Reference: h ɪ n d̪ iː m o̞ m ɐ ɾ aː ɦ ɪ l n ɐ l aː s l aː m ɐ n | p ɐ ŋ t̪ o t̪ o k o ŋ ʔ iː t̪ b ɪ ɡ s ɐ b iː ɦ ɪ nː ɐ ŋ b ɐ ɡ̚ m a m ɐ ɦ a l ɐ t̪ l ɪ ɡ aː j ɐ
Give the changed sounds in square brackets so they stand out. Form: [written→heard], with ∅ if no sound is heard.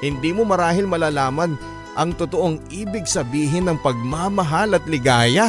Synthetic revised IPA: h ɪ n d̪ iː m o̞ m ɐ ɾ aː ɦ ɪ l [n→m] ɐ l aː [s→∅] l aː m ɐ n | [p→ʔ] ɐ ŋ t̪ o t̪ o [k→ʔ] o ŋ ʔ iː [t̪→∅] b ɪ ɡ s ɐ b iː ɦ ɪ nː ɐ ŋ [b→p] ɐ ɡ̚ m a m ɐ ɦ a l ɐ t̪ l ɪ ɡ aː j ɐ